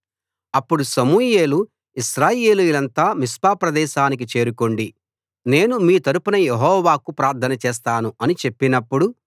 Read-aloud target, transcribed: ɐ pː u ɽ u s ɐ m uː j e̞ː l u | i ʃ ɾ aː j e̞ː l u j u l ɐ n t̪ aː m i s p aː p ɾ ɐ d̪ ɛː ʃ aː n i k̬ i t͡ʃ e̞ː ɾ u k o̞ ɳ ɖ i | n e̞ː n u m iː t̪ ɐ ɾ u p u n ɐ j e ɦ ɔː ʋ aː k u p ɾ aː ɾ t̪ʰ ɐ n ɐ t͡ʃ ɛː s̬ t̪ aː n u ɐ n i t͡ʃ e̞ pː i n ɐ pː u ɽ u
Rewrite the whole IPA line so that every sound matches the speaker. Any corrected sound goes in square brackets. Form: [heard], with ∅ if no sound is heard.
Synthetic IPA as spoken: ɐ pː u ɽ u s ɐ m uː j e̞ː l u | i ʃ ɾ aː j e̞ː l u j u l ɐ n t̪ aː m i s p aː p ɾ ɐ d̪ ɛː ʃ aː n i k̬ i t͡ʃ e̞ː ɾ u k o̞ ɳ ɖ i | n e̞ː n u m iː t̪ ɐ ɾ u p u n ɐ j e ɦ ɔː ʋ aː k u p ɾ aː ɾ t̪ʰ ɐ n ɐ t͡ʃ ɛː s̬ t̪ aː n u ɐ n i t͡ʃ e̞ pː i n ɐ pː u ɽ u

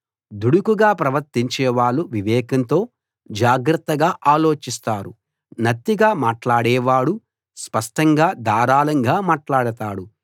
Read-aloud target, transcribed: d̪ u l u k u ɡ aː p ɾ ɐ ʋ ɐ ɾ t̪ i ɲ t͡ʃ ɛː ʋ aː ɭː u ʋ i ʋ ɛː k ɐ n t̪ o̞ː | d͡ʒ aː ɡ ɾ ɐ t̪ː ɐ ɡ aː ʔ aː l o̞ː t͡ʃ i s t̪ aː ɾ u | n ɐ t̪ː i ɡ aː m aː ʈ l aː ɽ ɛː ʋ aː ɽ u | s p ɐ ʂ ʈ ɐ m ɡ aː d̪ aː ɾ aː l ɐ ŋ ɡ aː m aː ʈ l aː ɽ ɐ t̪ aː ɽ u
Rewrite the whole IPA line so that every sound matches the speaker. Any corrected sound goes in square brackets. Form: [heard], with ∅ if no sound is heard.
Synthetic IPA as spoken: d̪ u [ɽ] u k u ɡ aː p ɾ ɐ ʋ ɐ ɾ t̪ i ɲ t͡ʃ ɛː ʋ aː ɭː u ʋ i ʋ ɛː k ɐ n t̪ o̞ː | d͡ʒ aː ɡ ɾ ɐ t̪ː ɐ ɡ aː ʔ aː l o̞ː t͡ʃ i s t̪ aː ɾ u | n ɐ t̪ː i ɡ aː m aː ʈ l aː ɽ ɛː ʋ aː ɽ u | s p ɐ ʂ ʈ ɐ [ŋ] ɡ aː d̪ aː ɾ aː l ɐ ŋ ɡ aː m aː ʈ l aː ɽ ɐ t̪ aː ɽ u

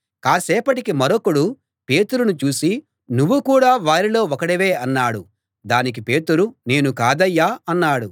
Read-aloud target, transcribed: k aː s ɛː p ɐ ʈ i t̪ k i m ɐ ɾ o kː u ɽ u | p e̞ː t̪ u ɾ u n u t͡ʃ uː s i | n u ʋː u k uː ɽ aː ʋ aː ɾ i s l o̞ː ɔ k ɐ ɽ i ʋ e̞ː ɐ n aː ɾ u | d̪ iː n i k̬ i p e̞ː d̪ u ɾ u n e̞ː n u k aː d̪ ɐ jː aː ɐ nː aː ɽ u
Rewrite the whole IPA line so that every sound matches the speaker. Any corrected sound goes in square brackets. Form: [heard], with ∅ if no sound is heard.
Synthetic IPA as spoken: k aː s ɛː p ɐ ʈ i [∅] k i m ɐ ɾ o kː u ɽ u | p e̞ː t̪ u ɾ u n u t͡ʃ uː s i | n u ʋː u k uː ɽ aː ʋ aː ɾ i [∅] l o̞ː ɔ k ɐ ɽ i ʋ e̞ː ɐ [nː] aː [ɽ] u | d̪ [aː] n i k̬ i p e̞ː [t̪] u ɾ u n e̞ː n u k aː d̪ ɐ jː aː ɐ nː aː ɽ u

